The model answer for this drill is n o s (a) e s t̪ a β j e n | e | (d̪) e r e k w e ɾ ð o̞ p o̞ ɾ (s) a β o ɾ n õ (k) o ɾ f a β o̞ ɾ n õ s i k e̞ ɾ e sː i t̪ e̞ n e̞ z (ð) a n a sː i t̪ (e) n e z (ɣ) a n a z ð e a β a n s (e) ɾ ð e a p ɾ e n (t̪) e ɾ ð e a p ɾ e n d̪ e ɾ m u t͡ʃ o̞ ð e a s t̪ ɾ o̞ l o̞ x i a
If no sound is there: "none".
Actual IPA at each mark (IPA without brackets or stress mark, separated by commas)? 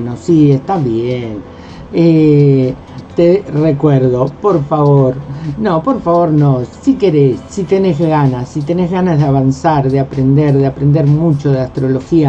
i, t̪, f, p, ɣ, e, ɣ, a, d̪